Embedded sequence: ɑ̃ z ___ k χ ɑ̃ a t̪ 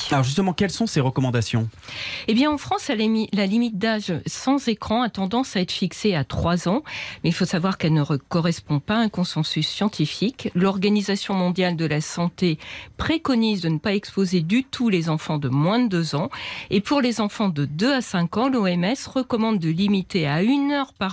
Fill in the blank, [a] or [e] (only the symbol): e